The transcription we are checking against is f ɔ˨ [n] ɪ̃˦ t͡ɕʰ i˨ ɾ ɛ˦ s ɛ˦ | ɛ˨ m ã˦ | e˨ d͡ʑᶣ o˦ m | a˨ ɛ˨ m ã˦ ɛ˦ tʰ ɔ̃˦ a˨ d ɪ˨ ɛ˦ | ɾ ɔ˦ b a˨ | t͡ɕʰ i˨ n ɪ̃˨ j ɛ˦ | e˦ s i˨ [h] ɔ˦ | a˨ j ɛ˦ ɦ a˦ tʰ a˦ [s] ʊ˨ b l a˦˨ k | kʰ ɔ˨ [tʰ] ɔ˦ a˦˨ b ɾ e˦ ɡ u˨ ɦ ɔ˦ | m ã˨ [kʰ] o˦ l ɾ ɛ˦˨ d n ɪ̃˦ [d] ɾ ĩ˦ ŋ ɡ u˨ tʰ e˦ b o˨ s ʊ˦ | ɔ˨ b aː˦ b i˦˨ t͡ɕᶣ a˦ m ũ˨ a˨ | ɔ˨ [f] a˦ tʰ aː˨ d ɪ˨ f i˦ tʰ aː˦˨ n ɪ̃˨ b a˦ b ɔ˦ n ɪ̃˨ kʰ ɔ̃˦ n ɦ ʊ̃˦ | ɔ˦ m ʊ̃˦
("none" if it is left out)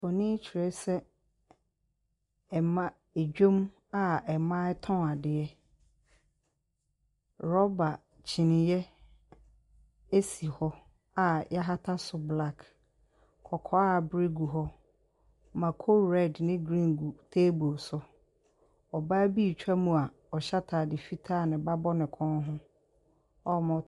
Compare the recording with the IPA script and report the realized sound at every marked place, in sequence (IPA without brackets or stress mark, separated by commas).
n, h, s, kʰ, kʰ, ɡ, ɕ